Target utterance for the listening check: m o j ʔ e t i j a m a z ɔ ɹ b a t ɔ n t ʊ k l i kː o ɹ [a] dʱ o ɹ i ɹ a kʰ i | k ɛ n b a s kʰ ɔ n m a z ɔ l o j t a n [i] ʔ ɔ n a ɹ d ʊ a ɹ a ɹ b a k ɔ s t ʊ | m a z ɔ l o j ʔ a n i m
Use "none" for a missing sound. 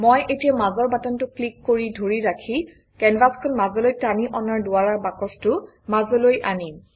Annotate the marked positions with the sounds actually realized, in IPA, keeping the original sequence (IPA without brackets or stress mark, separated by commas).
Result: i, i